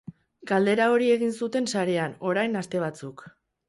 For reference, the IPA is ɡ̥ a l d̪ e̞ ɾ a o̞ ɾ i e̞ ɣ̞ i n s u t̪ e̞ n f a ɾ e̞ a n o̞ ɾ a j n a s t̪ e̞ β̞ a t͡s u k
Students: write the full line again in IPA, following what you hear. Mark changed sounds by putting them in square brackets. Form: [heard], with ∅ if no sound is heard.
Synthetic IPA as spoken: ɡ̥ a l d̪ e̞ ɾ a o̞ ɾ i e̞ ɣ̞ i n s u t̪ e̞ n [s] a ɾ e̞ a n o̞ ɾ a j n a s t̪ e̞ β̞ a t͡s u k